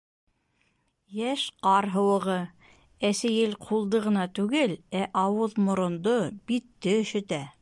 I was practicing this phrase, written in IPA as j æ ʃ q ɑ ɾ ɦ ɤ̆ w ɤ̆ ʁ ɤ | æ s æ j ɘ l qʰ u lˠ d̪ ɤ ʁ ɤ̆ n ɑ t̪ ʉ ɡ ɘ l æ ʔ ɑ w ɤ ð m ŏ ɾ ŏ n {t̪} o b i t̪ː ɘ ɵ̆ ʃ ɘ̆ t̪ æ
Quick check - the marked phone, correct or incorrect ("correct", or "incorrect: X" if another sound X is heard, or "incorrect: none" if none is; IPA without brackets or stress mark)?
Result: incorrect: d̪